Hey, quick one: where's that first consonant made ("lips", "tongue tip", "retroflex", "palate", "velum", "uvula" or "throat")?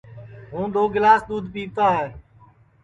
throat